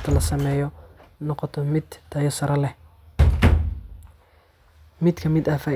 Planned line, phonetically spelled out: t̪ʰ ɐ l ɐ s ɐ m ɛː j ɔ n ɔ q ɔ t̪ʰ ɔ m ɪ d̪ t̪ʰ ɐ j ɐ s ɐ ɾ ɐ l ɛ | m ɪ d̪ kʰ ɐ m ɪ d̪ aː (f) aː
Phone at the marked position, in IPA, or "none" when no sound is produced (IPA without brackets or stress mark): f